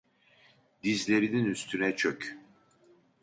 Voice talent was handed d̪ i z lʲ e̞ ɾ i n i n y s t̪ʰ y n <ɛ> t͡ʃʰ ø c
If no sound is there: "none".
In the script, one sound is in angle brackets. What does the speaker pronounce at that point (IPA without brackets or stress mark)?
ɛ